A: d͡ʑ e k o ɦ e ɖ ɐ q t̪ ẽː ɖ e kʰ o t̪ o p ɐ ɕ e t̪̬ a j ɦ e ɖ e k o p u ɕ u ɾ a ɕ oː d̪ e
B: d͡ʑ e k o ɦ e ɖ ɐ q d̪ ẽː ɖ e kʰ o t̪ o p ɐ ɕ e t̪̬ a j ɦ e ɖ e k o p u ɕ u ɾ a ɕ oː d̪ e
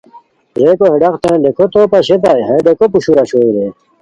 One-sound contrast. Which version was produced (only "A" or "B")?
A